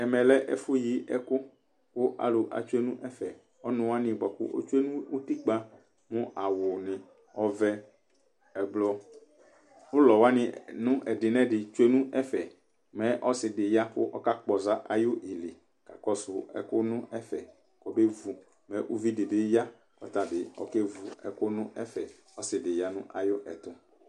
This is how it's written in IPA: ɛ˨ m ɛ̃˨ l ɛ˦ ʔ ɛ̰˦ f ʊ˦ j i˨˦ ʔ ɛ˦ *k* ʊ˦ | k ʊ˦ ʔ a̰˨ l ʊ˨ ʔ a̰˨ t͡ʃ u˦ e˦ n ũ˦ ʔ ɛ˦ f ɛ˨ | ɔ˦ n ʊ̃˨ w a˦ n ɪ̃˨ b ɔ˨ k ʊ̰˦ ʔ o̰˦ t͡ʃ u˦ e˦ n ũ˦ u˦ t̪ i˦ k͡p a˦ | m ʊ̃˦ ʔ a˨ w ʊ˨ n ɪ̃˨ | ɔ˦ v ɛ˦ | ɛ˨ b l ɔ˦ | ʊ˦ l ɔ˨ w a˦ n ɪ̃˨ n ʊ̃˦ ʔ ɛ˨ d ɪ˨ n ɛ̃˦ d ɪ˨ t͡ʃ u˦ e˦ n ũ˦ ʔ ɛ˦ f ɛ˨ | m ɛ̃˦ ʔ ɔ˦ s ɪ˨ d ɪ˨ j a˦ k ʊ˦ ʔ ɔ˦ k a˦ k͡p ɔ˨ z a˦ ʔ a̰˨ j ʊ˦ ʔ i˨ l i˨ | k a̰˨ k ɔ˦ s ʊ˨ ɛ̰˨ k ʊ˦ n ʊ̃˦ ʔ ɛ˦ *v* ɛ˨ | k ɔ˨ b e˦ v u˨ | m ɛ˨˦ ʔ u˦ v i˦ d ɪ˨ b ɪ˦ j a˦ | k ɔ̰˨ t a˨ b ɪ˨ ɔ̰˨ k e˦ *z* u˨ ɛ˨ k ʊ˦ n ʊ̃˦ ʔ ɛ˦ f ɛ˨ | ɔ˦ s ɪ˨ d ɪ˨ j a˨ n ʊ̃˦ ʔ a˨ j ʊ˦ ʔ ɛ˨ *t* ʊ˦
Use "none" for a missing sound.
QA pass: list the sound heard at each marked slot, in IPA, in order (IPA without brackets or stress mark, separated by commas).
k, f, v, t